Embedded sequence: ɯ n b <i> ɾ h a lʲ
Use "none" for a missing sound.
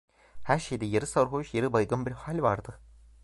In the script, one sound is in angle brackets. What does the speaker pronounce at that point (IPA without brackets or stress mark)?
i